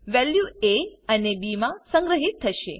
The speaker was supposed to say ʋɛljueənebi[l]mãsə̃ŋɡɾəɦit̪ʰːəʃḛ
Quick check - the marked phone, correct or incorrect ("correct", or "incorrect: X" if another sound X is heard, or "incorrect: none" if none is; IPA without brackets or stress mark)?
incorrect: none